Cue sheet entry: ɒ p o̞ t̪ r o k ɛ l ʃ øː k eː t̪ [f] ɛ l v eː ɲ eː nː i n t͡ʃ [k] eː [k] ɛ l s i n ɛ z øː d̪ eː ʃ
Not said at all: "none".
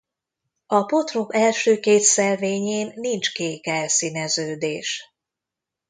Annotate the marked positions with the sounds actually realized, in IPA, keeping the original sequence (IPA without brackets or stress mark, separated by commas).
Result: s, k, k